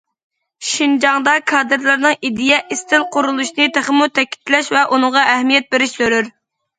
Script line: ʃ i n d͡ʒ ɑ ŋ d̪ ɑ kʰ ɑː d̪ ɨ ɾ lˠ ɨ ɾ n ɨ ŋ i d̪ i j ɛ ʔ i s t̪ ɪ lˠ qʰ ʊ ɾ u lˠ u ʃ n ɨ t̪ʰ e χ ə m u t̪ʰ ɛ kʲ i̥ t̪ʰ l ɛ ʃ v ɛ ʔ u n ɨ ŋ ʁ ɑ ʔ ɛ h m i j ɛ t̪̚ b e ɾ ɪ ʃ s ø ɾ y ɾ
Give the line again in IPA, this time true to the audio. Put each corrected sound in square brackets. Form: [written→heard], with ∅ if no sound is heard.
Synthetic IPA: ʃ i n d͡ʒ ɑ ŋ d̪ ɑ kʰ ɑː d̪ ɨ ɾ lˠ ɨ ɾ n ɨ ŋ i d̪ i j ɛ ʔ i s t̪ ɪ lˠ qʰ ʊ ɾ u lˠ u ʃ n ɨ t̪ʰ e χ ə m u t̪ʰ ɛ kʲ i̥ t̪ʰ l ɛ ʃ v ɛ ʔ u n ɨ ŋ ʁ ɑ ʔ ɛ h m i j ɛ t̪̚ b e ɾ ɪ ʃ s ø ɾ y ɾ